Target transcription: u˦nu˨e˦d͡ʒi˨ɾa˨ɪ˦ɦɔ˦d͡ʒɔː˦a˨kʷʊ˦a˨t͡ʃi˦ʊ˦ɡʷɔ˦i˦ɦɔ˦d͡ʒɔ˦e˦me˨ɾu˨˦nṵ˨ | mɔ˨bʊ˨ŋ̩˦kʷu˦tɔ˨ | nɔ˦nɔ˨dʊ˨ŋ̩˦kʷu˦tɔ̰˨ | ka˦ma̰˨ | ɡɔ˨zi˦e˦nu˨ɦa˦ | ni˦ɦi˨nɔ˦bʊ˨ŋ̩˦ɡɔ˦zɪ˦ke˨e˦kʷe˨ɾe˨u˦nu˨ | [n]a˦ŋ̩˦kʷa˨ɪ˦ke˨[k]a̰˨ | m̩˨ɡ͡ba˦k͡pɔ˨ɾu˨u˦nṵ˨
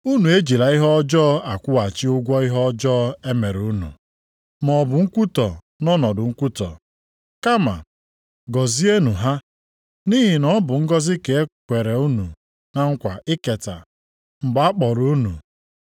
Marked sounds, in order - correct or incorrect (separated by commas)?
correct, incorrect